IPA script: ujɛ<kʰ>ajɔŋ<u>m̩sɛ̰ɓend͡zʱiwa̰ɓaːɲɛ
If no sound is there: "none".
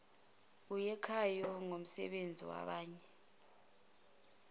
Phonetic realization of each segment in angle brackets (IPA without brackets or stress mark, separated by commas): kʰ, o